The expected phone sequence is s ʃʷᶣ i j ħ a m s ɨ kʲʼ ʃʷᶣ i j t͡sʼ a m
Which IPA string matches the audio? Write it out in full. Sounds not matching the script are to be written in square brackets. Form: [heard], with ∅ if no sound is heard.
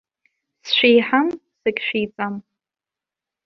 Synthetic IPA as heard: s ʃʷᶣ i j ħ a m s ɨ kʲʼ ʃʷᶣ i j t͡sʼ a m